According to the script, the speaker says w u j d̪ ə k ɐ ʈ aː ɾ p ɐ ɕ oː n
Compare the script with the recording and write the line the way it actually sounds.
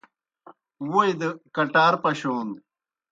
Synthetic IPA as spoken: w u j d̪ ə k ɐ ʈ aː ɾ p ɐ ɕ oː n